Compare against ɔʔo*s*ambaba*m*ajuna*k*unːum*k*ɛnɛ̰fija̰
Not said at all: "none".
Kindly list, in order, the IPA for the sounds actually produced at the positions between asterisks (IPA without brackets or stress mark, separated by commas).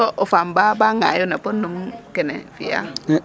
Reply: f, ŋ, p, k